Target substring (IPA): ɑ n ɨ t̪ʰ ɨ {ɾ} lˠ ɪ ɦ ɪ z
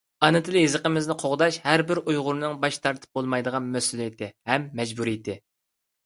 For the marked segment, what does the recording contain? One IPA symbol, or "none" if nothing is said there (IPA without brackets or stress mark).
none